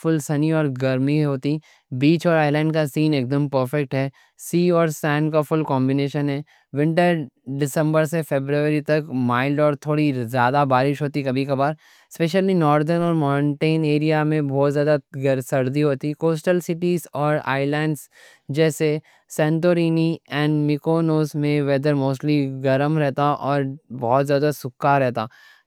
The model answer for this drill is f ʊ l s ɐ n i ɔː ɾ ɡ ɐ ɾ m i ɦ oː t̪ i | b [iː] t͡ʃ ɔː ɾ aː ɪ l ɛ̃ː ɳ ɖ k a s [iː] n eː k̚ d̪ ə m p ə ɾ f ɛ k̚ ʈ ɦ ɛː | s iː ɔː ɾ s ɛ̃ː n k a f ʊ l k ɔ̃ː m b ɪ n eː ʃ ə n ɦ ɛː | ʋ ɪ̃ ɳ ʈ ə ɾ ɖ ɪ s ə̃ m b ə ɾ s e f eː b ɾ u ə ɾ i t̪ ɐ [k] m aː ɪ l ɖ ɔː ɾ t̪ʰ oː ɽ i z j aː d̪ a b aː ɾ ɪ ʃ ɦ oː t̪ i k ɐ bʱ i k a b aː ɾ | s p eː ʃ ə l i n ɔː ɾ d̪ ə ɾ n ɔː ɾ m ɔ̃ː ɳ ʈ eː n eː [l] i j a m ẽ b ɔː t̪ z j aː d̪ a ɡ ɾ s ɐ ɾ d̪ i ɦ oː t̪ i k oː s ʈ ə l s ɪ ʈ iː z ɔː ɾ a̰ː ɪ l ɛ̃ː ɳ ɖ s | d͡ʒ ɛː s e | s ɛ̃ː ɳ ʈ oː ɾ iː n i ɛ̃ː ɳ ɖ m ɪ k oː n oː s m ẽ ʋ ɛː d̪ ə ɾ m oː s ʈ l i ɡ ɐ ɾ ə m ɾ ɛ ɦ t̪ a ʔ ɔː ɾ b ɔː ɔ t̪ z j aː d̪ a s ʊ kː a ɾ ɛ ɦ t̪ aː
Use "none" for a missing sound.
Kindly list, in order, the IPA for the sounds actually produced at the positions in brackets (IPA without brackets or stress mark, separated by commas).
iː, iː, k, ɾ